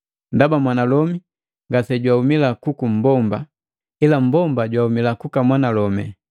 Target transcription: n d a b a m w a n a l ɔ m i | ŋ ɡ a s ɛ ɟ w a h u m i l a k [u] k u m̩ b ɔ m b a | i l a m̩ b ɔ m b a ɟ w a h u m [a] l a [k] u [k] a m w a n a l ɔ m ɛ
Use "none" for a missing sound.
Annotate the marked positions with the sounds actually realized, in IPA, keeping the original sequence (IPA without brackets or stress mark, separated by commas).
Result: u, i, k, k